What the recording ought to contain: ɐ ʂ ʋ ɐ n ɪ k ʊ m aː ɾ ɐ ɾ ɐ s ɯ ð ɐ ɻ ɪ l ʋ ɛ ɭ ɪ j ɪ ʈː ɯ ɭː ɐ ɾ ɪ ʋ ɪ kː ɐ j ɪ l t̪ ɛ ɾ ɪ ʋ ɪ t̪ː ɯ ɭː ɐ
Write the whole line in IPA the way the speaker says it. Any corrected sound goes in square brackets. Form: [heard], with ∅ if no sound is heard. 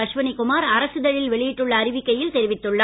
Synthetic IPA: ɐ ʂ ʋ ɐ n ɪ k ʊ m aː ɾ ɐ ɾ ɐ s ɯ ð ɐ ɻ ɪ l ʋ ɛ ɭ ɪ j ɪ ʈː ɯ ɭː [ɐː] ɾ ɪ ʋ ɪ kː ɐ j ɪ l t̪ ɛ ɾ ɪ ʋ ɪ t̪ː ɯ ɭː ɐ